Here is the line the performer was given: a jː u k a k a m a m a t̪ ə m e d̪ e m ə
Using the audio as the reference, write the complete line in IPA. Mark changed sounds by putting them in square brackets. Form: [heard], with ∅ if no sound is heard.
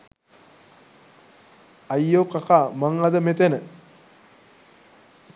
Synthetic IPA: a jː [o] k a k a m a [ŋ] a [d̪] ə m e [t̪] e [n] ə

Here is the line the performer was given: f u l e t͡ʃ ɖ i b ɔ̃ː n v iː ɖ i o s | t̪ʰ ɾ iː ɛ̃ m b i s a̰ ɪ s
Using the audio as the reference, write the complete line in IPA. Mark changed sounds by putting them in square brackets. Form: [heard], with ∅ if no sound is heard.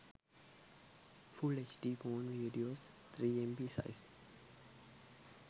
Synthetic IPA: f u l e t͡ʃ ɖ i b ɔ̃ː n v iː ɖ i o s | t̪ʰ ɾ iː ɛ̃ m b i s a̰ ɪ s

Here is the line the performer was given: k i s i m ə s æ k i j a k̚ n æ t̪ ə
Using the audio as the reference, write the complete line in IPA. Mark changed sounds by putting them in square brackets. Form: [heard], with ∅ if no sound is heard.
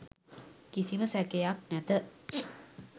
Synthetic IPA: k i s i m ə s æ k [e] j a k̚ n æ t̪ ə

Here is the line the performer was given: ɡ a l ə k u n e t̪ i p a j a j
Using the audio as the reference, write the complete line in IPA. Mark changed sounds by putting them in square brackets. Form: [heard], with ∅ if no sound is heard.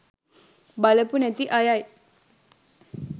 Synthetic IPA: [b] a l ə [p] u n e t̪ i [ʔ] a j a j

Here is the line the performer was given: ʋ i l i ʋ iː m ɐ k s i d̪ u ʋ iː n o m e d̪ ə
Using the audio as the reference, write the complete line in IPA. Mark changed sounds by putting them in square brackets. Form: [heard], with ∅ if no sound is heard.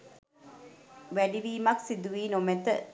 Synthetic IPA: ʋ [æ] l i ʋ iː m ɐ k s i d̪ u ʋ iː n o m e [t̪] ə

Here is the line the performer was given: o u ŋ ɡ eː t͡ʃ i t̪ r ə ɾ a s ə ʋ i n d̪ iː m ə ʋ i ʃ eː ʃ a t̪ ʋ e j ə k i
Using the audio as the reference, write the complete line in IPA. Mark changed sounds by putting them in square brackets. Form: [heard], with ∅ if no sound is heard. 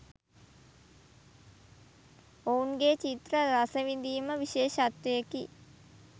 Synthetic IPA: o u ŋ ɡ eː t͡ʃ i t̪ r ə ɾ a s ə ʋ i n d̪ iː m ə ʋ i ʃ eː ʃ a t̪ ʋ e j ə k i

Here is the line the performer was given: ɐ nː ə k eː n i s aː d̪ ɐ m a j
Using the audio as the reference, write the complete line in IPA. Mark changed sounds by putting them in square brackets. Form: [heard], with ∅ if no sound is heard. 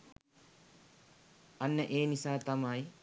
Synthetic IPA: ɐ nː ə [ʔ] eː n i s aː [t̪] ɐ m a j

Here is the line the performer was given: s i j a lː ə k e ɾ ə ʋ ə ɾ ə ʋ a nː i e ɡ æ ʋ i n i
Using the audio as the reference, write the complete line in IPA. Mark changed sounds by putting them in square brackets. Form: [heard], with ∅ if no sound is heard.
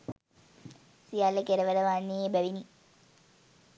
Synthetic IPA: s i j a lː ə k e ɾ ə ʋ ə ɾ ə ʋ a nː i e [b] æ ʋ i n i

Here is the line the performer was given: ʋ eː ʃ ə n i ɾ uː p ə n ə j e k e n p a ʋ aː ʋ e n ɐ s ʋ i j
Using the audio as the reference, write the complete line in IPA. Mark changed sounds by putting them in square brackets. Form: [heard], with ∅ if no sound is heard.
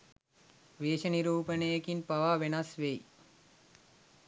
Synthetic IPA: ʋ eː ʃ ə n i ɾ uː p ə n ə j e k [i] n p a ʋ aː ʋ e n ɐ s ʋ [e] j

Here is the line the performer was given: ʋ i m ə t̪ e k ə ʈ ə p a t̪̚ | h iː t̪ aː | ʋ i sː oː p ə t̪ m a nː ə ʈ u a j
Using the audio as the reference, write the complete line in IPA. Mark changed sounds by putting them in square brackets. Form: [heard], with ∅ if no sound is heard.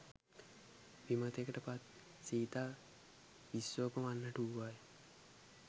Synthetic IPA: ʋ i m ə t̪ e k ə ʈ ə p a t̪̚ | [s] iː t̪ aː | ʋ i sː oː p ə [∅] m a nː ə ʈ u a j

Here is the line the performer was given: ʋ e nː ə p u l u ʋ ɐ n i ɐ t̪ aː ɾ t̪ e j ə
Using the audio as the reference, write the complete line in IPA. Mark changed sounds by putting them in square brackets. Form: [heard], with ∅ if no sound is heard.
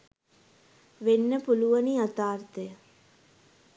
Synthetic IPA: ʋ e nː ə p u l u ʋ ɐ n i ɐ t̪ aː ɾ t̪ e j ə

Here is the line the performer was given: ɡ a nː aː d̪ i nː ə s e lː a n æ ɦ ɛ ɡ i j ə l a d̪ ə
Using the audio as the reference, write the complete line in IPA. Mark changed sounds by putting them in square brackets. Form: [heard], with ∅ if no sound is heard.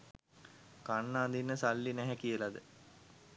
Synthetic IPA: [k] a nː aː d̪ i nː ə s [a] lː [i] n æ ɦ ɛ [k] i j ə l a d̪ ə

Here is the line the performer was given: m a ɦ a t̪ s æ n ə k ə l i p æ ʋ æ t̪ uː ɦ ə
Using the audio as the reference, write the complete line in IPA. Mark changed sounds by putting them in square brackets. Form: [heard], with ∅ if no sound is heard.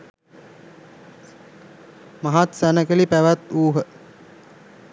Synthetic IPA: m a ɦ a t̪ s æ n ə k ə l i p æ ʋ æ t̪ uː ɦ ə

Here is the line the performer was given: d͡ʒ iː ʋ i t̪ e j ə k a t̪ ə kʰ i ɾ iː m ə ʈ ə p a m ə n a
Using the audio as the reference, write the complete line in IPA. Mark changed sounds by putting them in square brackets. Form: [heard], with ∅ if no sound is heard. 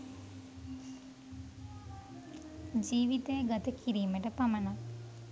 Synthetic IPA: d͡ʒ iː ʋ i t̪ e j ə [ɡ] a t̪ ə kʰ i ɾ iː m ə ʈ ə p a m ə n a

